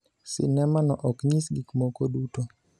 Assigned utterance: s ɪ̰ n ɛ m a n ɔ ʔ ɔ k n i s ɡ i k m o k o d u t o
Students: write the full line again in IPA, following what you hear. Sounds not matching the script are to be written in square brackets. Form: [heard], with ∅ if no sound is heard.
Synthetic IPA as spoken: s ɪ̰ n ɛ m a n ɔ ʔ ɔ k [ɲ] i s ɡ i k m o k o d u t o